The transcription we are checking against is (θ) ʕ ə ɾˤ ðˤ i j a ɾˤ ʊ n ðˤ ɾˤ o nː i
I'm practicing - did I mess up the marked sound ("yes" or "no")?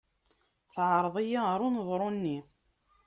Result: no